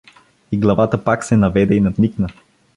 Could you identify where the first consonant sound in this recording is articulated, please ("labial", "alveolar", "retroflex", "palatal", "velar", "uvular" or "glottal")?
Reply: velar